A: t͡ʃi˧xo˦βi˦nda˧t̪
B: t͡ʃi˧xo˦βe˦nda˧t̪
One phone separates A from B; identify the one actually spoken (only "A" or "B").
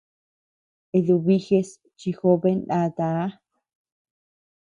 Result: B